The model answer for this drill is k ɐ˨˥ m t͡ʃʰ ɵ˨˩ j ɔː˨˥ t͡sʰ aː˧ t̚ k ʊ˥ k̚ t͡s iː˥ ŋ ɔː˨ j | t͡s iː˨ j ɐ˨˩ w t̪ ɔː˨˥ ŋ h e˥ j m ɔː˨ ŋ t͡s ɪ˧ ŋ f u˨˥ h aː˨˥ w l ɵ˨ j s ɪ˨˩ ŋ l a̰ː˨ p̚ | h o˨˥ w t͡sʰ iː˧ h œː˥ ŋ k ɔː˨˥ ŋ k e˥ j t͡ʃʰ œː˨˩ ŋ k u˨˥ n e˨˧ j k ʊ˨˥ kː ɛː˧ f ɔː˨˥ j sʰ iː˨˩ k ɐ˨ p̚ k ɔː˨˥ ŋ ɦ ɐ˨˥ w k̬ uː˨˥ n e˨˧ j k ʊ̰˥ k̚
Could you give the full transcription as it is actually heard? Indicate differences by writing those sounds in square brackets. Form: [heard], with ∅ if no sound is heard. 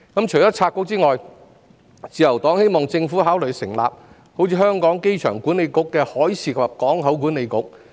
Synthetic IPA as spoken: k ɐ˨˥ m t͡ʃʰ ɵ˨˩ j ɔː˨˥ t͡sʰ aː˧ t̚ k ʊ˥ k̚ t͡s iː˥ ŋ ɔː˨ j | t͡s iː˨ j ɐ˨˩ w t̪ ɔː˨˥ ŋ h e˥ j m ɔː˨ ŋ t͡s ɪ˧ ŋ f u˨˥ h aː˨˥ w l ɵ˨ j s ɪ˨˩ ŋ l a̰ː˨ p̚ | h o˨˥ w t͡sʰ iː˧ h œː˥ ŋ k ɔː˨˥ ŋ k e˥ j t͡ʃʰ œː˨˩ ŋ k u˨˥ n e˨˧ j k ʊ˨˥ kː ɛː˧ [h] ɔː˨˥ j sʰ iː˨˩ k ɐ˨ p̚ k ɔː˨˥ ŋ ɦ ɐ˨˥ w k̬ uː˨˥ n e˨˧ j k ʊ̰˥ k̚

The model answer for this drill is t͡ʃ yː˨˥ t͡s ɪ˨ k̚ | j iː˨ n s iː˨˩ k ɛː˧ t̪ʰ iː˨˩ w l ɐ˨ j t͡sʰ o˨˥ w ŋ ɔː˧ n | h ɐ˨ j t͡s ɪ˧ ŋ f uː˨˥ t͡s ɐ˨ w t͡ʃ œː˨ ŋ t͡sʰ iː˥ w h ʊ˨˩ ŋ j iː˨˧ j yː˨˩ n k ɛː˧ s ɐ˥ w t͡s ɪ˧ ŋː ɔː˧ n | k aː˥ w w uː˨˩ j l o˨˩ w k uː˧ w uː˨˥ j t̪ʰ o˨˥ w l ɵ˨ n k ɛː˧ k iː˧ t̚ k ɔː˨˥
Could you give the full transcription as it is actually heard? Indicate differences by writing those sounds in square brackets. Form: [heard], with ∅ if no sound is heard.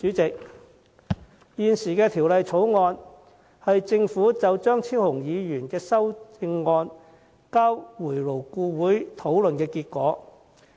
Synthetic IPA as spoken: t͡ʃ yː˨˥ t͡s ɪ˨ k̚ | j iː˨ n s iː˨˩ k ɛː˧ t̪ʰ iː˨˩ w l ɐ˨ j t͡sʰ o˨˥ w ŋ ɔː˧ n | h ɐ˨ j t͡s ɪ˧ ŋ f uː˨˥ t͡s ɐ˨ w t͡ʃ [œː˥] ŋ t͡sʰ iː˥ w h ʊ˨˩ ŋ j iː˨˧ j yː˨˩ n k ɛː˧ s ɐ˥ w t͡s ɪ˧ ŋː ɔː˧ n | k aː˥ w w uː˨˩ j l o˨˩ w k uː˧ w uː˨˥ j t̪ʰ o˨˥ w l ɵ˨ n k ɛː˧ k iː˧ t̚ k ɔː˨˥

